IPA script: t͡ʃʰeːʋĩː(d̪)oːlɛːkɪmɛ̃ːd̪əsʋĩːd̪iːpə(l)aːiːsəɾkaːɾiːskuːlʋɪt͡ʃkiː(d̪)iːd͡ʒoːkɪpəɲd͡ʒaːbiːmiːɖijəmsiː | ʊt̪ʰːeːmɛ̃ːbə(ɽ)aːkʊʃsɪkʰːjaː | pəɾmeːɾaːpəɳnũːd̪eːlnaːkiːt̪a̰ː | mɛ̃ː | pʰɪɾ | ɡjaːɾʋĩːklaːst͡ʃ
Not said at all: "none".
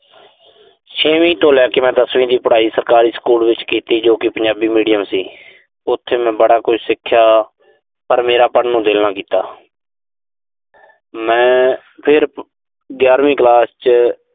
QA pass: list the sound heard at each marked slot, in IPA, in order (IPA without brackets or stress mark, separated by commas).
t̪, ɽ, t̪, ɽ